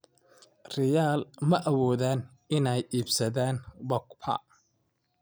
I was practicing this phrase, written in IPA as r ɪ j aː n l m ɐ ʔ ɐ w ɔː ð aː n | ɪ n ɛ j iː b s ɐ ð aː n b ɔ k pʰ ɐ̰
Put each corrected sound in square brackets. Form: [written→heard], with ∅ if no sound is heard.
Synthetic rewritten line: r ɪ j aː [n→∅] l m ɐ ʔ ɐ w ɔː ð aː n | ɪ n ɛ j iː b s ɐ ð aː n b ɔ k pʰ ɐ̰